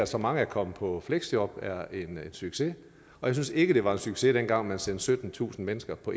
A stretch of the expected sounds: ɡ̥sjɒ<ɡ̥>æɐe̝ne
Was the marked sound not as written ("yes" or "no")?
yes